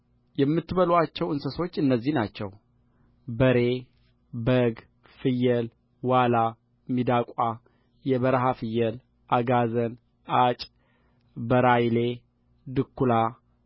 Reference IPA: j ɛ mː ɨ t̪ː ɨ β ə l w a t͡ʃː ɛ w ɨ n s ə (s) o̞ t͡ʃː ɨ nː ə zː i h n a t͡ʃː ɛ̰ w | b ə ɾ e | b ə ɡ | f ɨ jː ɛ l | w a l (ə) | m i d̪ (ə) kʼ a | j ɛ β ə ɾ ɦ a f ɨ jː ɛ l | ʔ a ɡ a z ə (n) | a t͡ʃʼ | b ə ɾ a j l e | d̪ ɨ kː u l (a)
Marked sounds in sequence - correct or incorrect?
correct, incorrect: a, incorrect: a, correct, correct

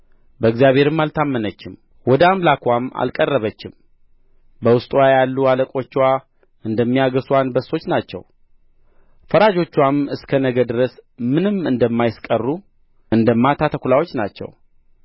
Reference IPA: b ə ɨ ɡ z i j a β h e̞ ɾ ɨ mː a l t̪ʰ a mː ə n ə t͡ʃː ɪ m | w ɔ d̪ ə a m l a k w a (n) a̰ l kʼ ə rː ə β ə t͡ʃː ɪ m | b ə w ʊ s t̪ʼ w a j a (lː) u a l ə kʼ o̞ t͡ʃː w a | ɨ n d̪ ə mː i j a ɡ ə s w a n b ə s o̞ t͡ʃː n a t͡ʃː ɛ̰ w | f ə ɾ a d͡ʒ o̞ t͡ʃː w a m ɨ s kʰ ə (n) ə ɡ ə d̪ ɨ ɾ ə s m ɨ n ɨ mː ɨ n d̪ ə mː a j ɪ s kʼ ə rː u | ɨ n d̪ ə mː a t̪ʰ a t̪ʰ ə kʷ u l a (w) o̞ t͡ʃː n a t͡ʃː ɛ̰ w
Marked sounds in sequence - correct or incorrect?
incorrect: m, correct, correct, correct

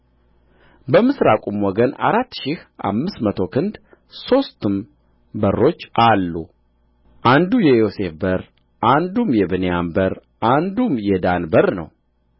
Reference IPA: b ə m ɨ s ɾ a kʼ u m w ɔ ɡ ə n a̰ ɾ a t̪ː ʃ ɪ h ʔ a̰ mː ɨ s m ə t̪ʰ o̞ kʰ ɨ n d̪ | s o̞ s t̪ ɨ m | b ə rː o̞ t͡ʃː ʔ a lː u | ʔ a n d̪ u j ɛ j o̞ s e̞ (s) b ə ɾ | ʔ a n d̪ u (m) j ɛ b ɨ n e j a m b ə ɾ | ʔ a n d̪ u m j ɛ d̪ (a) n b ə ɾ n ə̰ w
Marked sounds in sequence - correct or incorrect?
incorrect: f, correct, correct

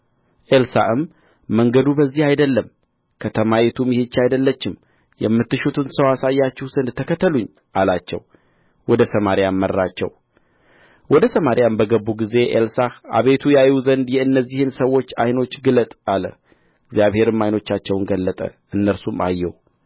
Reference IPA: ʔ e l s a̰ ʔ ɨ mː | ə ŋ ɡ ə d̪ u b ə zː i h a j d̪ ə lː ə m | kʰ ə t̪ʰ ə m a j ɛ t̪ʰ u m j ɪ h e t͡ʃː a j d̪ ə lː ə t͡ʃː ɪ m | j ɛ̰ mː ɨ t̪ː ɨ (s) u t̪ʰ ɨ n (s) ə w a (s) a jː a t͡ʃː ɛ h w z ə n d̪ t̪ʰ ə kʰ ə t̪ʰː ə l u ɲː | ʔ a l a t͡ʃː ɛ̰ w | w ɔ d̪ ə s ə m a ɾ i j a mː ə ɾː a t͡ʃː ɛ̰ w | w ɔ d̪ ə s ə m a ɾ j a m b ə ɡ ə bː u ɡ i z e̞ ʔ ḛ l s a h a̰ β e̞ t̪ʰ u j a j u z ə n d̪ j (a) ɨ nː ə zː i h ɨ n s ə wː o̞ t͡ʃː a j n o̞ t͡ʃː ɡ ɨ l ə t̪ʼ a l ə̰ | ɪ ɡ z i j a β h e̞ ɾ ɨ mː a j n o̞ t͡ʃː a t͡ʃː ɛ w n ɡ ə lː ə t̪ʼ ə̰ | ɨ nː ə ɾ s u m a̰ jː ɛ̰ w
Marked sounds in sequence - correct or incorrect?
incorrect: ʃ, correct, correct, incorrect: ɛ

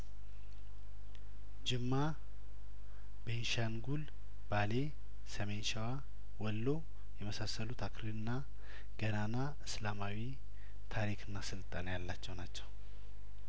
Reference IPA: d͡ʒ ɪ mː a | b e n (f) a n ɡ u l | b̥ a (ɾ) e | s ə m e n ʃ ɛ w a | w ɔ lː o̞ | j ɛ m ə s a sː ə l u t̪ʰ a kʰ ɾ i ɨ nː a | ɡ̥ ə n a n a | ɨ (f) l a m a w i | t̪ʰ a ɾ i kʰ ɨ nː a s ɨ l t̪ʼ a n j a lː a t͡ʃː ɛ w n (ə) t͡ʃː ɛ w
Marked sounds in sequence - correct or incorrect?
incorrect: ʃ, incorrect: l, incorrect: s, incorrect: a

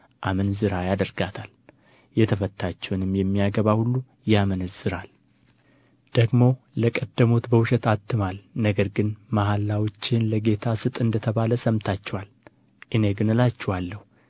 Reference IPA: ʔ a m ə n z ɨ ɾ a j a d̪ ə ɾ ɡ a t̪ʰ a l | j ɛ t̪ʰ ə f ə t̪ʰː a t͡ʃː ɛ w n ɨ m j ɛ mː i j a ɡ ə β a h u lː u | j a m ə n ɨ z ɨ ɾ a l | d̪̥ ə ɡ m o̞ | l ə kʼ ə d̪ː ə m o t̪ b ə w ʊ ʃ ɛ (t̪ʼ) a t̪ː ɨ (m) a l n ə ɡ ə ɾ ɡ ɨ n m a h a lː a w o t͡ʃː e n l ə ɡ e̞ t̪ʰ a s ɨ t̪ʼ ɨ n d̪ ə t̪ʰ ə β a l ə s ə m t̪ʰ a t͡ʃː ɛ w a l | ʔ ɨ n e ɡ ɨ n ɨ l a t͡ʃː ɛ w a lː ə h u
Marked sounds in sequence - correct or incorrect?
incorrect: t̪, correct

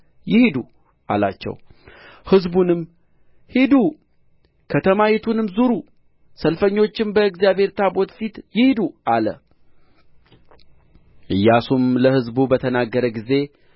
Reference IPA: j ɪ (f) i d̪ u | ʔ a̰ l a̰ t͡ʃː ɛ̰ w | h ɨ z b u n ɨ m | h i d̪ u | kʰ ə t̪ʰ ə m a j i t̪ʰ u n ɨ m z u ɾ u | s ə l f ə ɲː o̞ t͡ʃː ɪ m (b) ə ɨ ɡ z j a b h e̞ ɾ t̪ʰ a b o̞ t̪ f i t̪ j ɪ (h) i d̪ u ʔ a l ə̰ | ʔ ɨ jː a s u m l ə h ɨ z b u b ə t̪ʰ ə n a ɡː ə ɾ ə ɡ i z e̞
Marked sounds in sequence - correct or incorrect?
incorrect: h, correct, correct

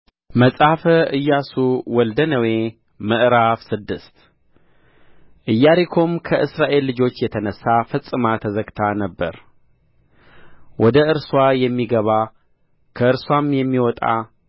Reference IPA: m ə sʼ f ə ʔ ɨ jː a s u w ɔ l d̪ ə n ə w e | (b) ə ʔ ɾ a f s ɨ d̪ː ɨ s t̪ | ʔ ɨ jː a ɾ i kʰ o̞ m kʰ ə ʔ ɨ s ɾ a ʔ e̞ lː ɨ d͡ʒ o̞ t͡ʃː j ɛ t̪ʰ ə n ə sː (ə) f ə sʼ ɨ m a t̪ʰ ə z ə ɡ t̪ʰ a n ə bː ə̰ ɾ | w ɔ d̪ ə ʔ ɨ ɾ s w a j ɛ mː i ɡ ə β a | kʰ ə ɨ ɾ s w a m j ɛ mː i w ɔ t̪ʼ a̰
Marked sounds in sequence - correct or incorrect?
incorrect: m, incorrect: a

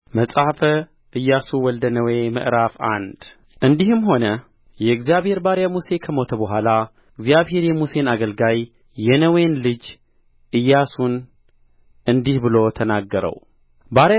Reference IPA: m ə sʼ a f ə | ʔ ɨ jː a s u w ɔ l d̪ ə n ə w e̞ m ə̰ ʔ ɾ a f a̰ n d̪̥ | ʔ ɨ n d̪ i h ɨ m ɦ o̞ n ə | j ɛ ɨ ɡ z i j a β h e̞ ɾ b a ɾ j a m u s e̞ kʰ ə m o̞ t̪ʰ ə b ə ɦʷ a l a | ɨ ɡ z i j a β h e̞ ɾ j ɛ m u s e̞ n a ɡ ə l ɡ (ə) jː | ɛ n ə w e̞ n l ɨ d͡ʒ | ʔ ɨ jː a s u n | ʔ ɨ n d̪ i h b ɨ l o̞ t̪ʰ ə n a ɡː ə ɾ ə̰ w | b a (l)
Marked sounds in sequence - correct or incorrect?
incorrect: a, incorrect: ɾ

